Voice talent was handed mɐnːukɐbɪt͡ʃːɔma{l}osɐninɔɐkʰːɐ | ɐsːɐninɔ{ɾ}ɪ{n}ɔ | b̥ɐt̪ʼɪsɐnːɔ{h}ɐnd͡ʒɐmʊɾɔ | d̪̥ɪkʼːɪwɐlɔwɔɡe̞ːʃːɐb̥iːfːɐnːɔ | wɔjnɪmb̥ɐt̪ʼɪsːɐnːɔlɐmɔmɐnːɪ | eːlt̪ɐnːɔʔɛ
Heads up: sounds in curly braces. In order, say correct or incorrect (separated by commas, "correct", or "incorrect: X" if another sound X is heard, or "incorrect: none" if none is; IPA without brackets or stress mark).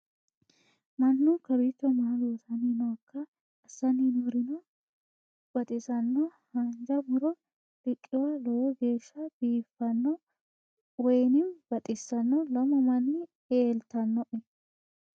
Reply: correct, correct, correct, correct